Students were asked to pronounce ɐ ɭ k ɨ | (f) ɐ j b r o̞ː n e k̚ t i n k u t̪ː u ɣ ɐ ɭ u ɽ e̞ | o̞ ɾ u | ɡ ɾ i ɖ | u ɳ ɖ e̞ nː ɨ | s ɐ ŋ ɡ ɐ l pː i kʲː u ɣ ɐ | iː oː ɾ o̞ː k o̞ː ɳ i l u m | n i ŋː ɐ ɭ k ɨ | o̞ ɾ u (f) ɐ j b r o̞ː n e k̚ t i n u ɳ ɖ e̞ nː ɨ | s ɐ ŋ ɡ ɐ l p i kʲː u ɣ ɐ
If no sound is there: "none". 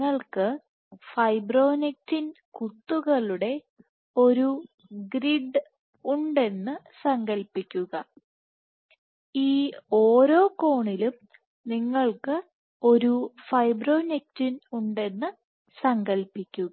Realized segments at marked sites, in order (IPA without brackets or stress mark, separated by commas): f, f